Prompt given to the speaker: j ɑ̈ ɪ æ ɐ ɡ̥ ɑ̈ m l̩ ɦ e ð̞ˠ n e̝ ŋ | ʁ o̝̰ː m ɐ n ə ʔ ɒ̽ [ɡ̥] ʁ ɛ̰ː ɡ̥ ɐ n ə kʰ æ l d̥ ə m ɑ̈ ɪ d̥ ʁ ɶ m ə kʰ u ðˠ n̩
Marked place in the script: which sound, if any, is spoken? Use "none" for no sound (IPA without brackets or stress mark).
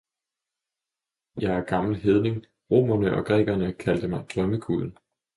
ɡ̥